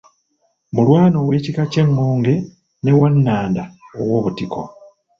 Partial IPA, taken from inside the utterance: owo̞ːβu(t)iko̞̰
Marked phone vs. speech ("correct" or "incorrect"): correct